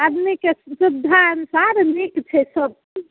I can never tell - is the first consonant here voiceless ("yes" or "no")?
no